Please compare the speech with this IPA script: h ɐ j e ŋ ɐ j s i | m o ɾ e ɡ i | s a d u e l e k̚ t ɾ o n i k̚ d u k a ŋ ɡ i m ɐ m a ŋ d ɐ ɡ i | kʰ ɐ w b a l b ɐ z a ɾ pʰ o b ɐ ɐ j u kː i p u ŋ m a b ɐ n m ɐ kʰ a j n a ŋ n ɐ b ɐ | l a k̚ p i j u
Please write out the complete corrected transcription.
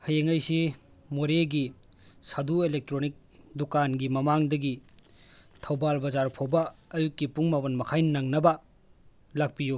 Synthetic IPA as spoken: h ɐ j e ŋ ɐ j s i | m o ɾ e ɡ i | s a d u e l e k̚ t ɾ o n i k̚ d u k a n ɡ i m ɐ m a ŋ d ɐ ɡ i | tʰ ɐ w b a l b ɐ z a ɾ pʰ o b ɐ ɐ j u kː i p u ŋ m a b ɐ n m ɐ kʰ a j n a ŋ n ɐ b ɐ | l a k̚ p i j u